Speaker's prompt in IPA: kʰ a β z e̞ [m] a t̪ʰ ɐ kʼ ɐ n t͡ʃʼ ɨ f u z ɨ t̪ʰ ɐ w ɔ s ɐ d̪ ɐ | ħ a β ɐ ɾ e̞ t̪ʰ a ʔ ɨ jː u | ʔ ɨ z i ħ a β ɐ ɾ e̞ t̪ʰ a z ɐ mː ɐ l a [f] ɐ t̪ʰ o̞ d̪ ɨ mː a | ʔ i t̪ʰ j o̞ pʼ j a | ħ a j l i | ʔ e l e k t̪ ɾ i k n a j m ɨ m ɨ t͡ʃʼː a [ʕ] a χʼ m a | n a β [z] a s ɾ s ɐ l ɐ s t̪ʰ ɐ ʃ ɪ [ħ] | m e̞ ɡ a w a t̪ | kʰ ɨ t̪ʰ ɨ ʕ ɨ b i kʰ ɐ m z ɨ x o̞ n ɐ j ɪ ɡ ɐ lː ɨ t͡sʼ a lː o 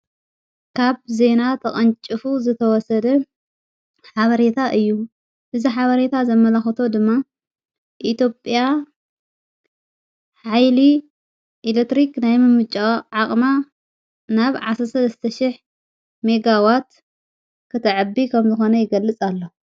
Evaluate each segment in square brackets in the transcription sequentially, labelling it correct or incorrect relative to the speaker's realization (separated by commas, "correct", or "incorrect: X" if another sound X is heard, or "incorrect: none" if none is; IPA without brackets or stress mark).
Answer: incorrect: n, incorrect: x, correct, incorrect: ʕ, correct